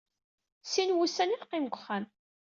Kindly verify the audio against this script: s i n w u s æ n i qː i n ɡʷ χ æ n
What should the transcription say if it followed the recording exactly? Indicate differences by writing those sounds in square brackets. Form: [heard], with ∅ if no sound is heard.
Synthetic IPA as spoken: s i n w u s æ n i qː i [m] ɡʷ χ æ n